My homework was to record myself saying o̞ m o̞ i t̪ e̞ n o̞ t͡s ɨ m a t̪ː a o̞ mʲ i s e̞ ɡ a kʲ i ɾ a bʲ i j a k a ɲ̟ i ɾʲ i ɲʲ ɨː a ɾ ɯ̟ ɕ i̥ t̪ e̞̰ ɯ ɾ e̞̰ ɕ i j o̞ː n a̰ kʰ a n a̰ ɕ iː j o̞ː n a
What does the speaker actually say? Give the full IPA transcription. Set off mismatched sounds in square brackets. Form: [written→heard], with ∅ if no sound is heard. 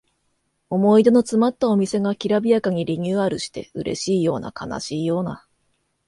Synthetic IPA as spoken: o̞ m o̞ i [t̪→d̪] e̞ n o̞ t͡s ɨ m a t̪ː a o̞ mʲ i s e̞ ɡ a kʲ i ɾ a bʲ i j a k a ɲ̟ i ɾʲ i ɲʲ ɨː a ɾ ɯ̟ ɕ i̥ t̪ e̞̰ ɯ ɾ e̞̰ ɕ [i→iː] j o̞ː n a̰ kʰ a n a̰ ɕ iː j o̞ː n a